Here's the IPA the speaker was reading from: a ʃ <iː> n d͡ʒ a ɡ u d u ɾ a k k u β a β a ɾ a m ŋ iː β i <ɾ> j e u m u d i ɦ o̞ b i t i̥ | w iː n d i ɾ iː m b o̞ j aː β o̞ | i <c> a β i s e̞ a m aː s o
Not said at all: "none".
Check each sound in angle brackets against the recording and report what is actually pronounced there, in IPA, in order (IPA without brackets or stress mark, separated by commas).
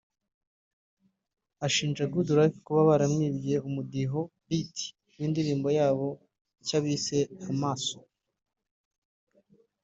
iː, none, c